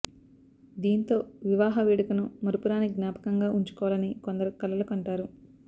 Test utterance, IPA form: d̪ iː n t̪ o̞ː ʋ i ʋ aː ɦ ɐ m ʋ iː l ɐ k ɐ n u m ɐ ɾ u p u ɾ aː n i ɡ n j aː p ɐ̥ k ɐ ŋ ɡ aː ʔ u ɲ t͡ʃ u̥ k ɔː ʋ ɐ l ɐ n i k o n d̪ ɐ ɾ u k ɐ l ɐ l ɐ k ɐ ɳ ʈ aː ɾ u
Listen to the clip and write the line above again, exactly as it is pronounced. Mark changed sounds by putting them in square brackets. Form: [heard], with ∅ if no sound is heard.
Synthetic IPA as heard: d̪ iː n t̪ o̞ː ʋ i ʋ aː ɦ ɐ [∅] ʋ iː [ɽ] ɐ k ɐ n u m ɐ ɾ u p u ɾ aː n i ɡ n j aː p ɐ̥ k ɐ ŋ ɡ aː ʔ u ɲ t͡ʃ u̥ k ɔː ʋ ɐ l ɐ n i k o n d̪ ɐ ɾ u k ɐ l ɐ l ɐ k ɐ ɳ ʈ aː ɾ u